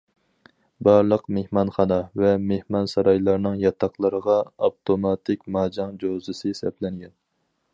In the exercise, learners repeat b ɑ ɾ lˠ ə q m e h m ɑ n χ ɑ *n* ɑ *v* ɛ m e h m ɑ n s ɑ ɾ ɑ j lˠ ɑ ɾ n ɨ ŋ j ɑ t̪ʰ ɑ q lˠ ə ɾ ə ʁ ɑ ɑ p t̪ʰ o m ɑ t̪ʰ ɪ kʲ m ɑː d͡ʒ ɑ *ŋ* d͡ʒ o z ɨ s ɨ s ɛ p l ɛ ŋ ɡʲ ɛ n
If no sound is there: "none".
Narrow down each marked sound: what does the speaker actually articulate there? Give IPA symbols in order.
n, v, ŋ

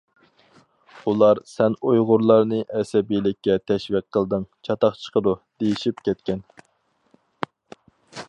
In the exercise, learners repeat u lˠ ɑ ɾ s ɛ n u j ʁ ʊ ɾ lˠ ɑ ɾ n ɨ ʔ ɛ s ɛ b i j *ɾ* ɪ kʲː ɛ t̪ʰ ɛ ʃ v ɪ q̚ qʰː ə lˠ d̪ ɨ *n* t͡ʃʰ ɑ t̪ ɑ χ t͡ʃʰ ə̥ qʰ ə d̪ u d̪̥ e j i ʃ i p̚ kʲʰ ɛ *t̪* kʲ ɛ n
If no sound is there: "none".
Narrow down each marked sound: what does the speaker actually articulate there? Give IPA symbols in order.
l, ŋ, t̪

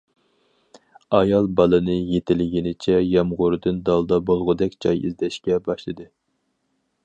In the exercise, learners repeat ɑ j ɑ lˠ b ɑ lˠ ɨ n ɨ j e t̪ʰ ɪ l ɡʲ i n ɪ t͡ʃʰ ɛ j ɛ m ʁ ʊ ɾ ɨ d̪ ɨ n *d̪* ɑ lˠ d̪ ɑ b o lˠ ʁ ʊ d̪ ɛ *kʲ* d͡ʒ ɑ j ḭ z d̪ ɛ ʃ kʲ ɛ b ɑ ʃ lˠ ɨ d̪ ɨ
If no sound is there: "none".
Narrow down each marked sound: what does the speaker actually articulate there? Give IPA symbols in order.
d̪, kʲ

